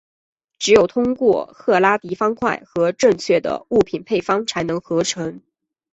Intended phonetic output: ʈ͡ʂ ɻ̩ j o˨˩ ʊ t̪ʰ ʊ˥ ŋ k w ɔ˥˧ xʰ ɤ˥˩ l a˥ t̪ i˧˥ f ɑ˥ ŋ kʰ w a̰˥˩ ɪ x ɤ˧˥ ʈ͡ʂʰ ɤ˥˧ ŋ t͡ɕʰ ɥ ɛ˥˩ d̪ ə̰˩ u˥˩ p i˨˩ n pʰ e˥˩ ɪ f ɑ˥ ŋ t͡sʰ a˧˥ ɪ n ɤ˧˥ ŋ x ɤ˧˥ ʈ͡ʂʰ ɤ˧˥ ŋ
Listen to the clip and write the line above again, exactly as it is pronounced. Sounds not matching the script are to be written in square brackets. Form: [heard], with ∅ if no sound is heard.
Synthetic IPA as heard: ʈ͡ʂ ɻ̩ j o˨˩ ʊ t̪ʰ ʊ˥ ŋ k w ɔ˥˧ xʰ ɤ˥˩ l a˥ t̪ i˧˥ f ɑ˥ ŋ kʰ w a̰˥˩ ɪ x ɤ˧˥ [ʈ͡ʂ] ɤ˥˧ ŋ t͡ɕʰ ɥ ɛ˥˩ d̪ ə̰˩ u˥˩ [pʰ] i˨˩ n pʰ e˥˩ ɪ f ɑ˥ ŋ t͡sʰ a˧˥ ɪ n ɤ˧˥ ŋ x ɤ˧˥ ʈ͡ʂʰ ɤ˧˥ ŋ